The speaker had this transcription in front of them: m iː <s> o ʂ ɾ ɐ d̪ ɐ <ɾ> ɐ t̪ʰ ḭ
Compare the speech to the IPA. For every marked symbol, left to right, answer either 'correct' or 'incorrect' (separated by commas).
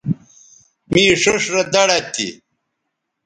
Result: incorrect, incorrect